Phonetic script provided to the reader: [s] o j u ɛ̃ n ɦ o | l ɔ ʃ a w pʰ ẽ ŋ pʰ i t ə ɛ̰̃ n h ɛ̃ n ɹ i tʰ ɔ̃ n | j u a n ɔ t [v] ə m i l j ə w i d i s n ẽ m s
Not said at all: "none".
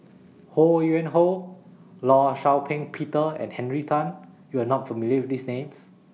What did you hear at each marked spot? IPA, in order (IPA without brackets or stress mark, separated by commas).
h, f